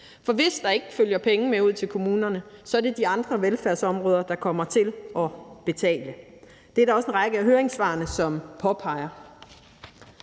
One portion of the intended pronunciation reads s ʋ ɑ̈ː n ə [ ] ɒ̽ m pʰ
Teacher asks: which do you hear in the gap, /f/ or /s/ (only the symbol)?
s